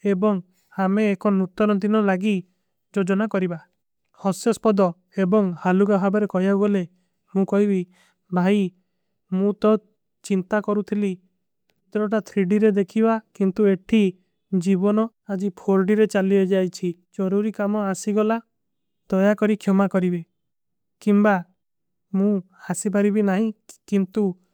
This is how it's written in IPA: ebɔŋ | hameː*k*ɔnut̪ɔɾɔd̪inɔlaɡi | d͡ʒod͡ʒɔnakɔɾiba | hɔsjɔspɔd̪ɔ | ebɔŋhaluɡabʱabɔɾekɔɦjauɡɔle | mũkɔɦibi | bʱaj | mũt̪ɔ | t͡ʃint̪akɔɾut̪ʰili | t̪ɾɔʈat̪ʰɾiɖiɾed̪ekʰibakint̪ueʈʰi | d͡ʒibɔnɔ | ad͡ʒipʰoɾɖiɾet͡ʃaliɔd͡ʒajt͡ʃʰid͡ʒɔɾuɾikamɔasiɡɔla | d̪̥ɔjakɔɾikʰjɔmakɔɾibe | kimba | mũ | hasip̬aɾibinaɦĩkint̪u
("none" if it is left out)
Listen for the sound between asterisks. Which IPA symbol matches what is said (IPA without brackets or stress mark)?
k